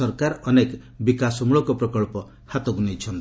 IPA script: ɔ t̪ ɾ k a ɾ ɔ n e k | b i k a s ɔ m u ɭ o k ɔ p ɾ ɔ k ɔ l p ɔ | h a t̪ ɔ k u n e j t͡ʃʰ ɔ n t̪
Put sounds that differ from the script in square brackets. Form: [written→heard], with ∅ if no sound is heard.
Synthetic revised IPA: ɔ [t̪→∅] ɾ k a ɾ ɔ n e k | b i k a s ɔ m u ɭ [o→ɔ] k ɔ p ɾ ɔ k ɔ [l→ɭ] p ɔ | h a t̪ ɔ [k→ɡ] u n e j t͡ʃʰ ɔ n t̪